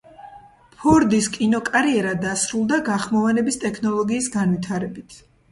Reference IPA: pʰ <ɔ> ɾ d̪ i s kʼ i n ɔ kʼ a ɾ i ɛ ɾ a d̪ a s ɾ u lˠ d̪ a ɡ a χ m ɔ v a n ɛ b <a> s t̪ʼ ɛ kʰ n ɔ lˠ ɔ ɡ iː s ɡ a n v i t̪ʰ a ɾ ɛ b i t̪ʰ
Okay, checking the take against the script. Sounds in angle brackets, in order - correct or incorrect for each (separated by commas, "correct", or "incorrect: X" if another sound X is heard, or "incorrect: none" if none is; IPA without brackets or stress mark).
correct, incorrect: i